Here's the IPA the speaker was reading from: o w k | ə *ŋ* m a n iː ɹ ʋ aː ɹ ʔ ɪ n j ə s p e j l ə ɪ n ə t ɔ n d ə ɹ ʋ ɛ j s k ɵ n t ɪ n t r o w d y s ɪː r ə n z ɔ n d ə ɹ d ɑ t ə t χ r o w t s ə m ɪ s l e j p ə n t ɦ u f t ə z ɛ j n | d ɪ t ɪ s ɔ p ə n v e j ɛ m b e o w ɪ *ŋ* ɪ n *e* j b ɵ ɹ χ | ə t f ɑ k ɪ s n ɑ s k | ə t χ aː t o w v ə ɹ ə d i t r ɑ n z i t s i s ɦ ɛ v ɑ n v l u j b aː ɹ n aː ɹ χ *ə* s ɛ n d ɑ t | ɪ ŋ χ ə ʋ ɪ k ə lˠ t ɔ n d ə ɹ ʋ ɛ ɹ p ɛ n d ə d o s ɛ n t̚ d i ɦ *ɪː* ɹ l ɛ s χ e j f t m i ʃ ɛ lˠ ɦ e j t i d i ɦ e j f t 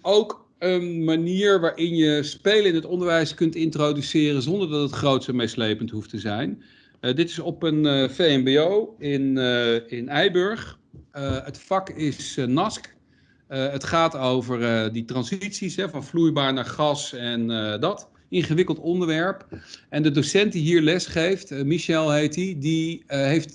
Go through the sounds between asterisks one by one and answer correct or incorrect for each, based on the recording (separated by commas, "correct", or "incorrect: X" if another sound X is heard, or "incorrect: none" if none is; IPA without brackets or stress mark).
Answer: incorrect: n, incorrect: n, incorrect: ɛ, incorrect: ɑ, incorrect: iː